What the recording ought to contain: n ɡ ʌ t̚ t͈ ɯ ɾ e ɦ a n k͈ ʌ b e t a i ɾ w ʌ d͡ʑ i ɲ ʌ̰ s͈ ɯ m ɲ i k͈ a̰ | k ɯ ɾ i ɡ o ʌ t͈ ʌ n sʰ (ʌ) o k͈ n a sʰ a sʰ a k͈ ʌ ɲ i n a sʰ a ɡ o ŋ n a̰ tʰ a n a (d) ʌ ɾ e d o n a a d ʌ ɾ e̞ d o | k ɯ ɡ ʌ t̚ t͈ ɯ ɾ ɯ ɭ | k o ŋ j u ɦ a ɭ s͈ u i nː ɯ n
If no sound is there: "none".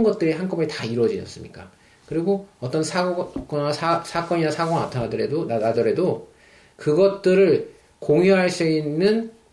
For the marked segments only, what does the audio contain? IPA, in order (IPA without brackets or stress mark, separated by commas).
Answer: a, d